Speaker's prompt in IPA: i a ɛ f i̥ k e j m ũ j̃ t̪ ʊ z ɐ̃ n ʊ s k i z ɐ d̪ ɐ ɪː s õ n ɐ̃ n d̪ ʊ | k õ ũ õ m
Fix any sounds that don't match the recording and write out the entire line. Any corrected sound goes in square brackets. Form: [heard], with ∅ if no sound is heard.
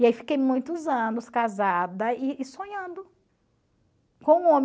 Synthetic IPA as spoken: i a [i] f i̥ k e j m ũ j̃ t̪ ʊ z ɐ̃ n ʊ s k [a] z [a] d̪ ɐ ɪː s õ [ɲ] ɐ̃ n d̪ ʊ | k õ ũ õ m